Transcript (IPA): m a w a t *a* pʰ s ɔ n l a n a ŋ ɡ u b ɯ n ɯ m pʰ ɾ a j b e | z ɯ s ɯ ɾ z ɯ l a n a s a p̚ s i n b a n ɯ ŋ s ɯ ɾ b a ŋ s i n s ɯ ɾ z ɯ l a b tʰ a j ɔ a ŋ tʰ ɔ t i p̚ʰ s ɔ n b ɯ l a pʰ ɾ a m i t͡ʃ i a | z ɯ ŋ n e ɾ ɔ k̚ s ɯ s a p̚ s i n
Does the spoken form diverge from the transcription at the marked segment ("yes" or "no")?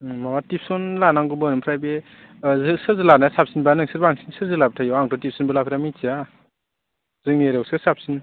yes